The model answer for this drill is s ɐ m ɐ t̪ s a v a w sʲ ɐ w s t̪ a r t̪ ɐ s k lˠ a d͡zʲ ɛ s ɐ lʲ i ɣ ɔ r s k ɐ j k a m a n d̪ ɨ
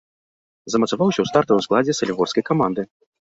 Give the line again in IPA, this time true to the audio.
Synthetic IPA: z ɐ m ɐ t̪ s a v a w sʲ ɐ w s t̪ a r t̪ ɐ s k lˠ a d͡zʲ ɛ s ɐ lʲ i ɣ ɔ r s k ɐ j k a m a n d̪ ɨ